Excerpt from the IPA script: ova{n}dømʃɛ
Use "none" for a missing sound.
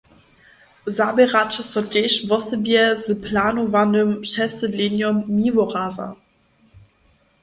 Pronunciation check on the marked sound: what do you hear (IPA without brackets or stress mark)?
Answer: n